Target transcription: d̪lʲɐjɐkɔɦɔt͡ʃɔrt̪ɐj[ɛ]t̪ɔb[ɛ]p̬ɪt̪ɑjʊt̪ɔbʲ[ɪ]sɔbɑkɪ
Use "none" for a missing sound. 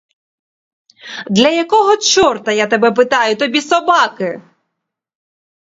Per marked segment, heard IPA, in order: a, ɛ, i

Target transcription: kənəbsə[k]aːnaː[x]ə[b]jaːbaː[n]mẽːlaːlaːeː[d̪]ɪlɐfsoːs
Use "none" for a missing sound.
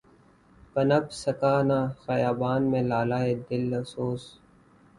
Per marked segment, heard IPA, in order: k, x, none, n, d̪

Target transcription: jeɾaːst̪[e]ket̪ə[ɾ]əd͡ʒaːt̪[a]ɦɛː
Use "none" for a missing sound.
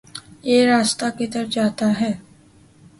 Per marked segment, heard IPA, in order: a, ɾ, a

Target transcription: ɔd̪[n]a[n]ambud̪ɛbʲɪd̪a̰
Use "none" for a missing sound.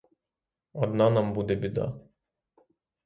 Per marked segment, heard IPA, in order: n, n

